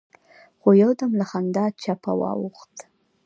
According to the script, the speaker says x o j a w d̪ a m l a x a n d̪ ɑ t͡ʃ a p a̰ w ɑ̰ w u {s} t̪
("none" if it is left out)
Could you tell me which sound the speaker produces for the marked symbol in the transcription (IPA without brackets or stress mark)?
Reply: x